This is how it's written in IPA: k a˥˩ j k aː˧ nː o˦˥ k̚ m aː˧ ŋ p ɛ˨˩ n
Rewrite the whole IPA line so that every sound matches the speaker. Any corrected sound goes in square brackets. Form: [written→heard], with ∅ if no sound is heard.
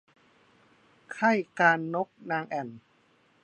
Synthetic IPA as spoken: [k→kʰ] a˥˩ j k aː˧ nː o˦˥ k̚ [m→n] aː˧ ŋ [p→ʔ] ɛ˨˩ n